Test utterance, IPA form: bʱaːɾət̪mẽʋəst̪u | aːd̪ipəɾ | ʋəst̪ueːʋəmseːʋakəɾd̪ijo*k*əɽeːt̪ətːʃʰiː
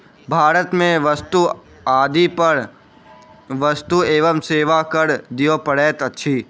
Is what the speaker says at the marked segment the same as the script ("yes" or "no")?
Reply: no